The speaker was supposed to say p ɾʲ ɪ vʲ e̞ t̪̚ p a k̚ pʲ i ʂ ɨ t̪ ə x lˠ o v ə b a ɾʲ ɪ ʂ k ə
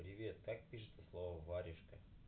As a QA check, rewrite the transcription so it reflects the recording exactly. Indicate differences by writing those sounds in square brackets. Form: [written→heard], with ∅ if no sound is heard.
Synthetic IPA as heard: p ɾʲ ɪ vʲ e̞ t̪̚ [p→k] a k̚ pʲ i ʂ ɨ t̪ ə [x→s] lˠ o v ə [b→v] a ɾʲ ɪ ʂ k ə